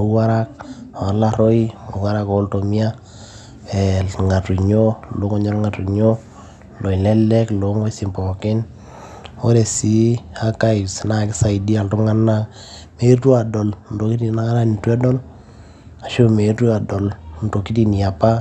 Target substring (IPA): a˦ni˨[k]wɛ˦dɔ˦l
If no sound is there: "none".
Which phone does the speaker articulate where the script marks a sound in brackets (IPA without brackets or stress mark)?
t